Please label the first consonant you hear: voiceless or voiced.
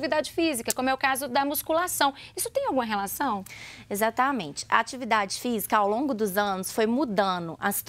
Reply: voiced